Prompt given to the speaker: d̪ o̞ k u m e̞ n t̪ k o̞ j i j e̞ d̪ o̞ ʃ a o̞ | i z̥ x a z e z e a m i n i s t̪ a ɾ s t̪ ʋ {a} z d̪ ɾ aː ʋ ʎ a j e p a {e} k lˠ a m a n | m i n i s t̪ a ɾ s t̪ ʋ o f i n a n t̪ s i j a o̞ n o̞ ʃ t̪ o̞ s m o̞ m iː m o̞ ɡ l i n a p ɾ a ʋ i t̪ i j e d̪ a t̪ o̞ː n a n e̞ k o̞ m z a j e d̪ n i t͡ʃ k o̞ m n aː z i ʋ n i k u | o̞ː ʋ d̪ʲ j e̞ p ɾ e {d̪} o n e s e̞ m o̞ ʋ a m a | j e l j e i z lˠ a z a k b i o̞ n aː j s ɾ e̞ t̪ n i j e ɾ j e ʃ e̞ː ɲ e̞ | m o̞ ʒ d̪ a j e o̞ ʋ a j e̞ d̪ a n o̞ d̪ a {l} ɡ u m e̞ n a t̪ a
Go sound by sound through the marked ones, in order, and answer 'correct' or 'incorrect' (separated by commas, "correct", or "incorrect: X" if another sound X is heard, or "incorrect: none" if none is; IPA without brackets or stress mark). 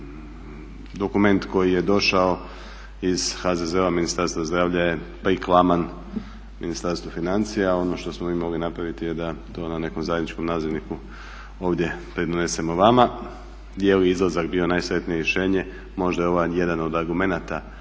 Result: correct, incorrect: i, correct, incorrect: ɾ